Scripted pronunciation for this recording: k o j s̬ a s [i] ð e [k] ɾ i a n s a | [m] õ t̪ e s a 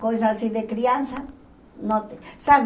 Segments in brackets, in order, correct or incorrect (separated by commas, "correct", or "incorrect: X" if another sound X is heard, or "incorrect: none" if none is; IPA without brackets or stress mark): correct, correct, incorrect: n